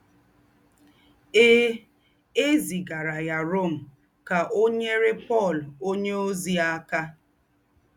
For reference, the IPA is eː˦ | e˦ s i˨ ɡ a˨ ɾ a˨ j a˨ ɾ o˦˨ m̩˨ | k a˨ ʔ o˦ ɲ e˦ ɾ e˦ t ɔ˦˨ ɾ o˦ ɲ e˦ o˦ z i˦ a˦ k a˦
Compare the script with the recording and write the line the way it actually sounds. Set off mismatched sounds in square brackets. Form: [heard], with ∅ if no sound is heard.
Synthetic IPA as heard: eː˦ | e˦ [z] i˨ ɡ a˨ ɾ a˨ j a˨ ɾ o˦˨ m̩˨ | k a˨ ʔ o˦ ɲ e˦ ɾ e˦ [p] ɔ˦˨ [l] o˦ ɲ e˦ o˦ z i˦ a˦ k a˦